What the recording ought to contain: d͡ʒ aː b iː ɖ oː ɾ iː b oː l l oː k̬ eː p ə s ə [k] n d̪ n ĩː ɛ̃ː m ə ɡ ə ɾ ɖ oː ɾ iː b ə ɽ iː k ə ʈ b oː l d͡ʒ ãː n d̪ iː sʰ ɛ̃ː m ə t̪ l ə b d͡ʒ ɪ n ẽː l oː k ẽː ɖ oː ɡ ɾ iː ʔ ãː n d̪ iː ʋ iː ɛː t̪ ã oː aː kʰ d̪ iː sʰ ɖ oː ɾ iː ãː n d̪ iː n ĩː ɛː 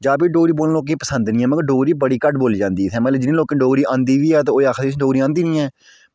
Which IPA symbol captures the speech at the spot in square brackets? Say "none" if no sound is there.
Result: none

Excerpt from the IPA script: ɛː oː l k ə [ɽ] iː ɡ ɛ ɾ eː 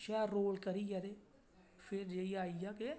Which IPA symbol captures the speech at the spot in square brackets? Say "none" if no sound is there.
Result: ɾ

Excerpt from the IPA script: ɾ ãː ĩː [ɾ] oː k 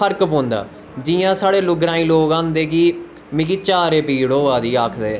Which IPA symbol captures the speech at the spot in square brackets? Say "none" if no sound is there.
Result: l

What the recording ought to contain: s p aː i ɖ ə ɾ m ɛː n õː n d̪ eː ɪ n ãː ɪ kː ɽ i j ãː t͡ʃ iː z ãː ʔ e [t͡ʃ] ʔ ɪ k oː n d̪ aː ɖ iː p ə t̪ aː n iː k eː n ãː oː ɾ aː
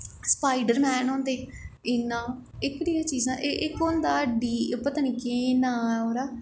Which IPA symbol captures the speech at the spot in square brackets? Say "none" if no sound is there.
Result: none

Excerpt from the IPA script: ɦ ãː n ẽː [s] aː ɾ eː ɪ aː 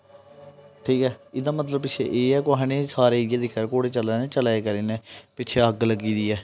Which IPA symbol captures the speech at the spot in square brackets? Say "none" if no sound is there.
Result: s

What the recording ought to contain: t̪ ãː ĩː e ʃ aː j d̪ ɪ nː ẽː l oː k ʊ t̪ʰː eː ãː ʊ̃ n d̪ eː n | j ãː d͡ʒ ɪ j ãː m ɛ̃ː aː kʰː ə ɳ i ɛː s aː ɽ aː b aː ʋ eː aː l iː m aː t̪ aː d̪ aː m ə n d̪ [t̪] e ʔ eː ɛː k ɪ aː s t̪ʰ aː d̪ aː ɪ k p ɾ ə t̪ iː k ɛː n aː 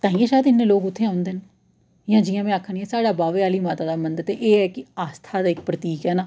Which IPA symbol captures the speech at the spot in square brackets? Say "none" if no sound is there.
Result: t̪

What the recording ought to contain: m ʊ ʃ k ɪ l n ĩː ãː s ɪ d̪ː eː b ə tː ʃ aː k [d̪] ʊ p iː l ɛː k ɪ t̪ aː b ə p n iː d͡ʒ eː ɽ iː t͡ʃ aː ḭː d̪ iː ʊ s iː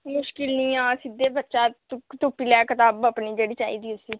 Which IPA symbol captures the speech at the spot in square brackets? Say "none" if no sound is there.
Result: t̪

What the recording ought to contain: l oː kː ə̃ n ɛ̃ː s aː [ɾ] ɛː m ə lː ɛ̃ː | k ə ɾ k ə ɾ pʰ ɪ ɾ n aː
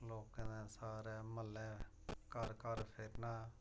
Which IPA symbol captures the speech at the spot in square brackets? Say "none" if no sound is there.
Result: ɾ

